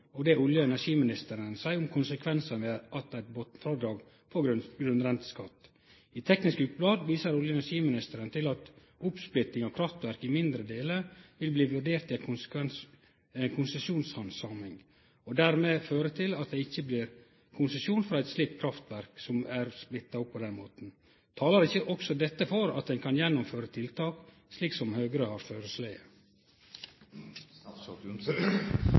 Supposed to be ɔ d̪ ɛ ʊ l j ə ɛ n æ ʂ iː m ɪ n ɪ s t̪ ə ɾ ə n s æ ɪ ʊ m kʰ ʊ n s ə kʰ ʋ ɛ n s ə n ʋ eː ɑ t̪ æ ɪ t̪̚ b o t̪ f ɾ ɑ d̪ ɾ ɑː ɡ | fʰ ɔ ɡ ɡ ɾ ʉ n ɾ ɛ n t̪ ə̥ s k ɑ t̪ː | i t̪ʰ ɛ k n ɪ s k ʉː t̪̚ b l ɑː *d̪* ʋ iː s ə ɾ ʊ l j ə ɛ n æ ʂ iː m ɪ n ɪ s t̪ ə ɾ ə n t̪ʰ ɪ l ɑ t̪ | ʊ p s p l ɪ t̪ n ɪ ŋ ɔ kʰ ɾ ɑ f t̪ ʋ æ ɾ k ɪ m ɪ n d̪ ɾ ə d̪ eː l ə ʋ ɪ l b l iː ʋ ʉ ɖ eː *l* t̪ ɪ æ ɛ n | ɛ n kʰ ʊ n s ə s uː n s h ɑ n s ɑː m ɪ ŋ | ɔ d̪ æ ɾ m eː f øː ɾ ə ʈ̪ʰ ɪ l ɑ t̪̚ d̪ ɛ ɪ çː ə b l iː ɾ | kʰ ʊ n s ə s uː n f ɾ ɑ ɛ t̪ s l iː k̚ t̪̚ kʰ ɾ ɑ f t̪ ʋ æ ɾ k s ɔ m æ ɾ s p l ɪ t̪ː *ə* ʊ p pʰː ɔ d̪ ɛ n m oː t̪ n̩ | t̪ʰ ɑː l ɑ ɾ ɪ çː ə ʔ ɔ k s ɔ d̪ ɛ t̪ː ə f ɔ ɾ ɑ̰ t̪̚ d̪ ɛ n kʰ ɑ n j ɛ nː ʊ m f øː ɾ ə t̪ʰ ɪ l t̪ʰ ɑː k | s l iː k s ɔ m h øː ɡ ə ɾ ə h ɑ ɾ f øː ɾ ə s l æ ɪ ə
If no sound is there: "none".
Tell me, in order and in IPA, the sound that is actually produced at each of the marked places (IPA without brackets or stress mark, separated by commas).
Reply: d̪, ɾ, ɑ